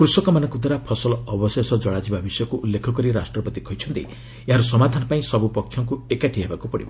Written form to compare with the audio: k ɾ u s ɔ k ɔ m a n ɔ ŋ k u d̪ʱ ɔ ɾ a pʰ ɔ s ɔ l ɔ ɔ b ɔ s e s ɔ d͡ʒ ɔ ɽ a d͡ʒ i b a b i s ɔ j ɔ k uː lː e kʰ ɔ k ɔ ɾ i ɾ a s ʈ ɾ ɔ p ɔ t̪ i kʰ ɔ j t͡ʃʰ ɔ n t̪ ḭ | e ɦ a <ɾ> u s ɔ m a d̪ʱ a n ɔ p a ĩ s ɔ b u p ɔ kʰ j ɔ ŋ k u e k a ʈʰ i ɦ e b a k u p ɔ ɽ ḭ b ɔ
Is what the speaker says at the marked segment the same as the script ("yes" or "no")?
yes